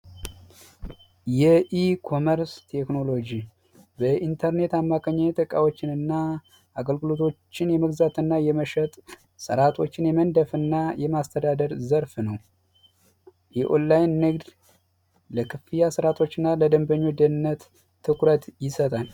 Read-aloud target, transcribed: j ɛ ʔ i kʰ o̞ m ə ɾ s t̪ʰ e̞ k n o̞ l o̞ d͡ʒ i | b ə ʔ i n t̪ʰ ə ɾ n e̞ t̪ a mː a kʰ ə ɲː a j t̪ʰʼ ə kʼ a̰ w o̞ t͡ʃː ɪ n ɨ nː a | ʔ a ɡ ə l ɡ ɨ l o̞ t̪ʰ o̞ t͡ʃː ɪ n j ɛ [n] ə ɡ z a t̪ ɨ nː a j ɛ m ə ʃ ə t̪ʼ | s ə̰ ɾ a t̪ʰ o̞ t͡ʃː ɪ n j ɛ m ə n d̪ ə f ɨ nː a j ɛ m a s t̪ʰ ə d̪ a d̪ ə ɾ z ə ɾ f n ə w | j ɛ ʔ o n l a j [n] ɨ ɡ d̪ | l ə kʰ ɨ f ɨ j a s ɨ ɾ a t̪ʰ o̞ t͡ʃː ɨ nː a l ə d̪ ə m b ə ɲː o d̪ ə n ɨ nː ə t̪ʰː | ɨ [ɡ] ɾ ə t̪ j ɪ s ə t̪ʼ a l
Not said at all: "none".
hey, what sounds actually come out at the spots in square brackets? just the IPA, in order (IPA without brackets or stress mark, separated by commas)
m, nː, k